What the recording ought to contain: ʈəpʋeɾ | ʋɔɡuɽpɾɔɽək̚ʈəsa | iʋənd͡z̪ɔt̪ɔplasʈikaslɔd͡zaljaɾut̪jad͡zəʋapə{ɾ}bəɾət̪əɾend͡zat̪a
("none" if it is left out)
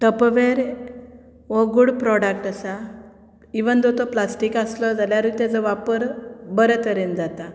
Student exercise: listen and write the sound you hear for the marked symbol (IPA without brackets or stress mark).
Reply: ɾ